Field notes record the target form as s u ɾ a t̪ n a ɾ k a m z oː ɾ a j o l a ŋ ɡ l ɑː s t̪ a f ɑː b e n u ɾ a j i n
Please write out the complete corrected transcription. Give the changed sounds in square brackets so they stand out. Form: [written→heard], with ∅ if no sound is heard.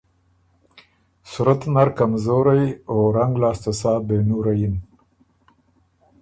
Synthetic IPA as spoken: s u ɾ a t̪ n a ɾ k a m z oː ɾ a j o [l→ɾ] a ŋ ɡ l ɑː s t̪ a [f→s] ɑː b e n u ɾ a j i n